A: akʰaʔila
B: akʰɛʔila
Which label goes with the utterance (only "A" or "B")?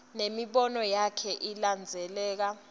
B